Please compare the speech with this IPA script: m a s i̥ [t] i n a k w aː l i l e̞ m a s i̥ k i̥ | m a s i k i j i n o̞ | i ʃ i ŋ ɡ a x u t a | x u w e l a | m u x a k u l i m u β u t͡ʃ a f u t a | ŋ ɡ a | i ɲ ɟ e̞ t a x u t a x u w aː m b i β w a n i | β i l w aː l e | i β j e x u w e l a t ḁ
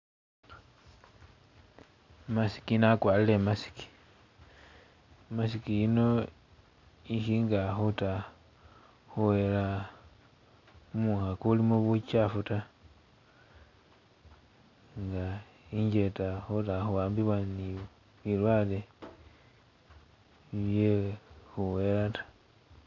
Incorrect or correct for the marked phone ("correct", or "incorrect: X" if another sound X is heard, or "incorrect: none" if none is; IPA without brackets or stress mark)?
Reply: incorrect: k